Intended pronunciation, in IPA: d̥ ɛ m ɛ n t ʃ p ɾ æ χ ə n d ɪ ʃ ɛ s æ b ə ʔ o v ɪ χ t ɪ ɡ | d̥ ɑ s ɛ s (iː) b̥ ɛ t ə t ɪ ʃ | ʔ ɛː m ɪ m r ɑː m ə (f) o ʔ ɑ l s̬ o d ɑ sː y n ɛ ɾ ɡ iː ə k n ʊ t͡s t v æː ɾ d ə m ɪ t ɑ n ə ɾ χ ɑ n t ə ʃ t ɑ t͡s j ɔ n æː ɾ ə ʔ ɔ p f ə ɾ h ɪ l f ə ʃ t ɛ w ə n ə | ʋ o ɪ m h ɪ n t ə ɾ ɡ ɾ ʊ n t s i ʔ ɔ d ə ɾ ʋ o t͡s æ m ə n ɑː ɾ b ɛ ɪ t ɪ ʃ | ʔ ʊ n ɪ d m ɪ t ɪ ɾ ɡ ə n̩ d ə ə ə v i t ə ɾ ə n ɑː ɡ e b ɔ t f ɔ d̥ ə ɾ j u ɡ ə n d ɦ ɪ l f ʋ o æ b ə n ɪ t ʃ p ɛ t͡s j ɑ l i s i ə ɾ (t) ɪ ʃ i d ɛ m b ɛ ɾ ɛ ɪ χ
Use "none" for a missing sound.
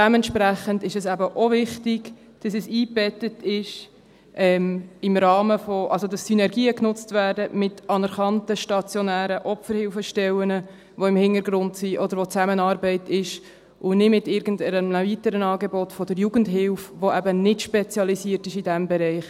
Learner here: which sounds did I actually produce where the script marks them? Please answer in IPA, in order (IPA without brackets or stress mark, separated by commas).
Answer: iː, f, t